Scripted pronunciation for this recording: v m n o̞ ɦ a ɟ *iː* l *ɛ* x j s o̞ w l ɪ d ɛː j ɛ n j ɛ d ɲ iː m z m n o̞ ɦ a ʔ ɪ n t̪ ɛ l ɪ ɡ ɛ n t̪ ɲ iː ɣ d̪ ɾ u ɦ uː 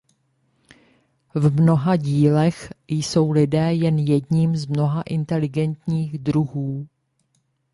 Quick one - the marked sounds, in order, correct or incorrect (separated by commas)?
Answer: correct, correct